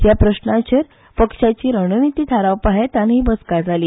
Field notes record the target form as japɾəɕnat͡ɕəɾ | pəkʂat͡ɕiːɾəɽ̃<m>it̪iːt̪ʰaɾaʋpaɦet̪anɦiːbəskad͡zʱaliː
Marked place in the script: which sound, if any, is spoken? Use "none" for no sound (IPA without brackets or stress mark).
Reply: n